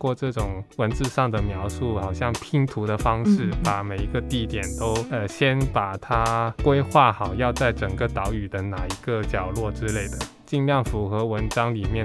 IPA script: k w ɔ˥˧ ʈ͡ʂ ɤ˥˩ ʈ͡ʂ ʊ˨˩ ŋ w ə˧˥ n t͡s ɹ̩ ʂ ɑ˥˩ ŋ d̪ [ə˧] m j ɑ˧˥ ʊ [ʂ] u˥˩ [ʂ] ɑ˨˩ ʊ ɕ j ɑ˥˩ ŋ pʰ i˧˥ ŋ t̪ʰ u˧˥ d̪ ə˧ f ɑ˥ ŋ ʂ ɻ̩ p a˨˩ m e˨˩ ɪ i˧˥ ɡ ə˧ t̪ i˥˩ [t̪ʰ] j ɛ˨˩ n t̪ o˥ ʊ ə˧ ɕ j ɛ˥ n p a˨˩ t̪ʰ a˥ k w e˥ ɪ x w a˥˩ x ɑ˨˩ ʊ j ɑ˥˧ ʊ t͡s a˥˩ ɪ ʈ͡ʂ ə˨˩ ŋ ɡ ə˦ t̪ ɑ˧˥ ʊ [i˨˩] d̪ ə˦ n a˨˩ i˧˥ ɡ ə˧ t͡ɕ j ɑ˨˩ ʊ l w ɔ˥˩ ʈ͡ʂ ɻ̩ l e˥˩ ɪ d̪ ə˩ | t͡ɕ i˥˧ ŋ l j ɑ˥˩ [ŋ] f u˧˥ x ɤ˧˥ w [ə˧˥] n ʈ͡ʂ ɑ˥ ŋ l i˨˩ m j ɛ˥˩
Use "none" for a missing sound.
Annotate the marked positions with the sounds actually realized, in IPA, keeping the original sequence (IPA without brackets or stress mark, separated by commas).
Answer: ə˩, ʂ, x, t̪, y˨˩, ŋ, ə˧˥